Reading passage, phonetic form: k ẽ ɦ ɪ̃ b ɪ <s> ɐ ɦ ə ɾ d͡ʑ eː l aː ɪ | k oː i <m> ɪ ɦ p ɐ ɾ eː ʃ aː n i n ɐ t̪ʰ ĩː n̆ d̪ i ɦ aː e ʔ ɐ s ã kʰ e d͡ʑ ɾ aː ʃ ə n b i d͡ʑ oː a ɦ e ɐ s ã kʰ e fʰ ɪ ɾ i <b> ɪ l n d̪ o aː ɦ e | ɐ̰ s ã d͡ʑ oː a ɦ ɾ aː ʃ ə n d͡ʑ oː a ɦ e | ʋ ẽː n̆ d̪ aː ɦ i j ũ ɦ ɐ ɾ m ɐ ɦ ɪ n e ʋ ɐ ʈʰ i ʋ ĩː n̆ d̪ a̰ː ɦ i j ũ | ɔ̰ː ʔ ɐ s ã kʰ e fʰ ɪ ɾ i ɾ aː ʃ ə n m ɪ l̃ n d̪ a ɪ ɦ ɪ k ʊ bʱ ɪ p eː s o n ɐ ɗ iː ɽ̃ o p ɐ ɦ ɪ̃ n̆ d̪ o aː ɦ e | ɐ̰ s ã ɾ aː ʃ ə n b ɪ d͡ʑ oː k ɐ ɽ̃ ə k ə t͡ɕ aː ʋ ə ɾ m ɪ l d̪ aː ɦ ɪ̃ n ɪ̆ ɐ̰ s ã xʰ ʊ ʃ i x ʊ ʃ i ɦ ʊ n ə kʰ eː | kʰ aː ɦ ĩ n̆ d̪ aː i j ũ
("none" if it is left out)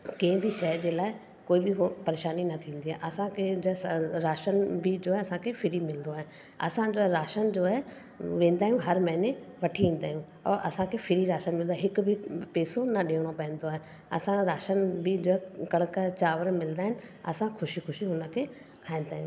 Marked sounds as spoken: ʃ, b, m

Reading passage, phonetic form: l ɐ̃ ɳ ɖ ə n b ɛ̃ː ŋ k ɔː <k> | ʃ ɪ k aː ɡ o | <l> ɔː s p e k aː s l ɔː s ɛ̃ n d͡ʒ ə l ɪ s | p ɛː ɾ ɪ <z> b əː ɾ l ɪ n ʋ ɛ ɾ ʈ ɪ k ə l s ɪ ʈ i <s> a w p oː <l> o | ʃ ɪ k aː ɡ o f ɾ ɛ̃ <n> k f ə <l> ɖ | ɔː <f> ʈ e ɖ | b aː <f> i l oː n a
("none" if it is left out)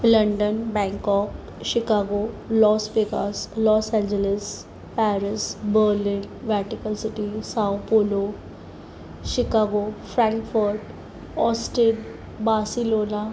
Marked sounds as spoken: k, l, s, s, l, ŋ, ɾ, s, s

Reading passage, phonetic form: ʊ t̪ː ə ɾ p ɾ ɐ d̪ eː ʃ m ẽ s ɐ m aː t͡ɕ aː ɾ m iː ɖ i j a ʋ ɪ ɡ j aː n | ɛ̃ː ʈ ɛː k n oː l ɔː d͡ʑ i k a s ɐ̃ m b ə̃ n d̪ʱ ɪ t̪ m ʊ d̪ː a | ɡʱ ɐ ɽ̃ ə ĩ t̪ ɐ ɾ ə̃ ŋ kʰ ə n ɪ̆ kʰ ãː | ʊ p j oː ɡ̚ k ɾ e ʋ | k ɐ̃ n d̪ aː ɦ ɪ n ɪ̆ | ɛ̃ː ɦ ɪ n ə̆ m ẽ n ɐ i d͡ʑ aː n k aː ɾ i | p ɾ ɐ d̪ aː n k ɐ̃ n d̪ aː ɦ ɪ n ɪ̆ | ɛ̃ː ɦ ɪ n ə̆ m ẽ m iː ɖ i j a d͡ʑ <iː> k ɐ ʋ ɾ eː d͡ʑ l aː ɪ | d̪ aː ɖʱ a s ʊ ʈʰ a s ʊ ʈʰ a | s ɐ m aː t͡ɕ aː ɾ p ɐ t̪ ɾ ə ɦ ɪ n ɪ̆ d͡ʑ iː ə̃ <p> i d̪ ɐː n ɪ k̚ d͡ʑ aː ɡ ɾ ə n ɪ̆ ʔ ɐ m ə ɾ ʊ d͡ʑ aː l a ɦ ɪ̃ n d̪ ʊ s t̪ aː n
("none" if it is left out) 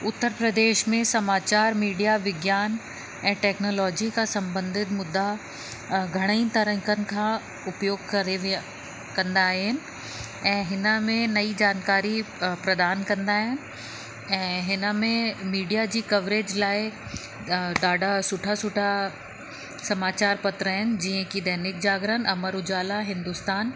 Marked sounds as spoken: iː, k

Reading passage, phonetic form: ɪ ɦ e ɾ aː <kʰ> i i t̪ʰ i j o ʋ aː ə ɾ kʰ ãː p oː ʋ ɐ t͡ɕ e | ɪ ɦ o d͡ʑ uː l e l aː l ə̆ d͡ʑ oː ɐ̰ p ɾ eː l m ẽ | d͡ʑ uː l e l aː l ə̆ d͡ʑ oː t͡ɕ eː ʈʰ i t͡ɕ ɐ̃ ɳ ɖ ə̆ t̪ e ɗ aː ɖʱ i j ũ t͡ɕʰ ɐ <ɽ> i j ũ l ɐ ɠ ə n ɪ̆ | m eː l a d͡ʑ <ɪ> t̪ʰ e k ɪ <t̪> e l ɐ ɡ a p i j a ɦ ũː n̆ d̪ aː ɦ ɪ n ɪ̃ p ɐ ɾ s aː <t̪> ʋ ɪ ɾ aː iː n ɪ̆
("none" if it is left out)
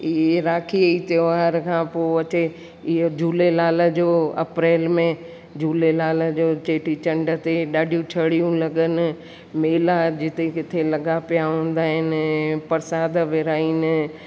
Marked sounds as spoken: kʰ, ɽ, ɪ, t̪ʰ, d̪

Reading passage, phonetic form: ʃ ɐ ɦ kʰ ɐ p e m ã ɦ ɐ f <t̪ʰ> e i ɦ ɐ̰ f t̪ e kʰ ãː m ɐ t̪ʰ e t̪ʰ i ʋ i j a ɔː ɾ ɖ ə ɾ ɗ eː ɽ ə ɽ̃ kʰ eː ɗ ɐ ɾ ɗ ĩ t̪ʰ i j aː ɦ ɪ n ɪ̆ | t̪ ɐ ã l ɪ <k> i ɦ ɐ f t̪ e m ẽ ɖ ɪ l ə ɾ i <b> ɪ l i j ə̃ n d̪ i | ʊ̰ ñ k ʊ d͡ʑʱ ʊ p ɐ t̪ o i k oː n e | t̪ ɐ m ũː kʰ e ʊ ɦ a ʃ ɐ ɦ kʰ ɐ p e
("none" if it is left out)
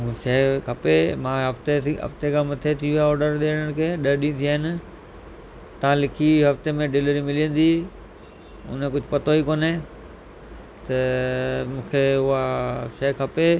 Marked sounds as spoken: t̪, kʰ, m

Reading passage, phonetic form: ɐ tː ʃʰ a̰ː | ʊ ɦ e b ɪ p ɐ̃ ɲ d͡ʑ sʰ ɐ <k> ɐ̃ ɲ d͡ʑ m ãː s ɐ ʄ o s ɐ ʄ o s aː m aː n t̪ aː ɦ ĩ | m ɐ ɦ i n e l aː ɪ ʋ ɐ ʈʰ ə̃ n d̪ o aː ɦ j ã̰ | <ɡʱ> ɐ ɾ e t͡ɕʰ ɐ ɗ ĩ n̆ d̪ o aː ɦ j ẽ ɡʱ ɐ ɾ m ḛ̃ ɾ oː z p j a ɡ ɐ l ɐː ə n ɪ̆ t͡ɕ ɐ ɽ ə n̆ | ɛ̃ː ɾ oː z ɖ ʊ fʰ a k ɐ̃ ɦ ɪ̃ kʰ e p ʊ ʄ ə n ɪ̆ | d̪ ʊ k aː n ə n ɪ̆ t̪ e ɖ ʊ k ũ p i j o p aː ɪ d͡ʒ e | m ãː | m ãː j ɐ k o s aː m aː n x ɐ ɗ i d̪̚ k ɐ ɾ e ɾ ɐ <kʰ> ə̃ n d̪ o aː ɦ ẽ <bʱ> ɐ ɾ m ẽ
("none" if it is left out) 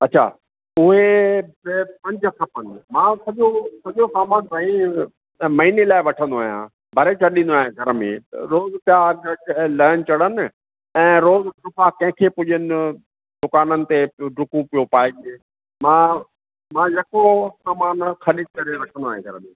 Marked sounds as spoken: p, bʱ, ʈʰ, ɡʱ

